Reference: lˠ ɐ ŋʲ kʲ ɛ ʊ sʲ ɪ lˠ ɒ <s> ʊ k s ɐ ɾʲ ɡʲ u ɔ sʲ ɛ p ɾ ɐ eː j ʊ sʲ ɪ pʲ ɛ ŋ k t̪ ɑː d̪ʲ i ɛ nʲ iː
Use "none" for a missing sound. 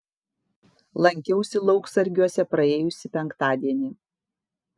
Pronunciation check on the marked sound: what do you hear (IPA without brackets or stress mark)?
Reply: none